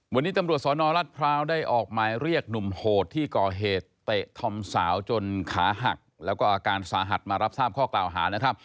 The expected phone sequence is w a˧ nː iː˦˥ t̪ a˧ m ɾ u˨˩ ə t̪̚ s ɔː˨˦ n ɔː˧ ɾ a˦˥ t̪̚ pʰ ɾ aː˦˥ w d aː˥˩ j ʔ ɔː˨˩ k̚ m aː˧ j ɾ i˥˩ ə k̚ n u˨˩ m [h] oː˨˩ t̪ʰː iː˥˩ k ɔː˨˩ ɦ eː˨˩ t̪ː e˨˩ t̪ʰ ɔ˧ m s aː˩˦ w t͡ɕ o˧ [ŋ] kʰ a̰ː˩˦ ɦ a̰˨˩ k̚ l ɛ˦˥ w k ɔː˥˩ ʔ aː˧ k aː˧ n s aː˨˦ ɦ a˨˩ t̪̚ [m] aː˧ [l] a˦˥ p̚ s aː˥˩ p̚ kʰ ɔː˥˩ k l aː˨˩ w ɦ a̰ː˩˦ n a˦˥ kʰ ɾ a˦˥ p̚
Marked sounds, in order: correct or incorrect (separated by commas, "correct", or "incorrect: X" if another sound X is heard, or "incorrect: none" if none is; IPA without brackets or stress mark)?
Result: correct, incorrect: n, correct, incorrect: ɾ